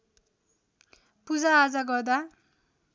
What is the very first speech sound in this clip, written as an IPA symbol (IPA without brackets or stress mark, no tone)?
p